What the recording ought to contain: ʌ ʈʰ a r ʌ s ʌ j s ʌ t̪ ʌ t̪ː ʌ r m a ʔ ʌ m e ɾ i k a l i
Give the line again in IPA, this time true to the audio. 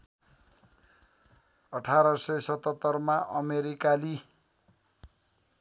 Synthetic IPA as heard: ʌ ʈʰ a ɾ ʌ s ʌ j s ʌ t̪ ʌ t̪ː ʌ r m a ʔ ʌ m e ɾ i k a l i